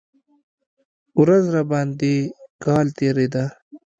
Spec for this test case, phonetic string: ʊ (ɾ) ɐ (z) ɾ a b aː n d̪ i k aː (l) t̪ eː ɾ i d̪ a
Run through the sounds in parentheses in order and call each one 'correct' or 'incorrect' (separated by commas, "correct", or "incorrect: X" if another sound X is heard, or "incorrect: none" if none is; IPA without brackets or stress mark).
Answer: correct, correct, correct